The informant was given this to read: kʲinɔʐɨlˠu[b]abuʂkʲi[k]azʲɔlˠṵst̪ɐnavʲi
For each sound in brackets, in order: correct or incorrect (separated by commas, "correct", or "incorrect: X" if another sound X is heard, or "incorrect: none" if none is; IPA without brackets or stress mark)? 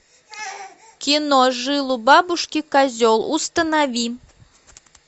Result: correct, correct